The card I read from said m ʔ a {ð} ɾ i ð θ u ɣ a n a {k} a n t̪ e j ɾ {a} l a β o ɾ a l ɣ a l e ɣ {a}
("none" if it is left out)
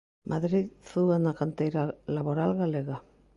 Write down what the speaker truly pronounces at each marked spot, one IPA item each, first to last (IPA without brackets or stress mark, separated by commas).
ð, k, a, a